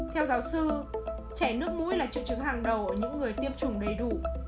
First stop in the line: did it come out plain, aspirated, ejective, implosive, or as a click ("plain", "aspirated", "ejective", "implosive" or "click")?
aspirated